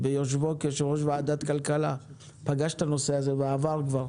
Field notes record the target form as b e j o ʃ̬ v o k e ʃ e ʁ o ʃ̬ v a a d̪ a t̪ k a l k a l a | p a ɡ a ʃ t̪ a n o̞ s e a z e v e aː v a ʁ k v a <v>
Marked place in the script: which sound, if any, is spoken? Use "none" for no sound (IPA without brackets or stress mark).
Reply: ʁ